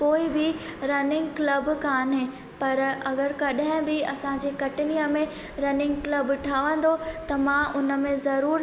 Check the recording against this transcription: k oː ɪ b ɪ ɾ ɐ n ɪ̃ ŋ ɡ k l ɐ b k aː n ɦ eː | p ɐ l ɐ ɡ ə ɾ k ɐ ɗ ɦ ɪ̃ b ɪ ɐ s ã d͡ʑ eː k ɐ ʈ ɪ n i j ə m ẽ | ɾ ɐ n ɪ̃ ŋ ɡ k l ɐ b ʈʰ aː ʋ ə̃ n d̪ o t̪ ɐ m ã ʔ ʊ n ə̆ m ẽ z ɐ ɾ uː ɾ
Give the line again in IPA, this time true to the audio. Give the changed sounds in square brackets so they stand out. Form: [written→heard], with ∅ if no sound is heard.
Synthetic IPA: k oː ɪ b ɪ ɾ ɐ n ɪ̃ ŋ ɡ k l ɐ b k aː n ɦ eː | p ɐ [l→ɾ] ɐ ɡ ə ɾ k ɐ ɗ ɦ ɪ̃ b ɪ ɐ s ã d͡ʑ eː k ɐ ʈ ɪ n i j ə m ẽ | ɾ ɐ n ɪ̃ ŋ ɡ k l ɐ b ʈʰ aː ʋ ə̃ n d̪ o t̪ ɐ m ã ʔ ʊ n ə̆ m ẽ z ɐ ɾ uː ɾ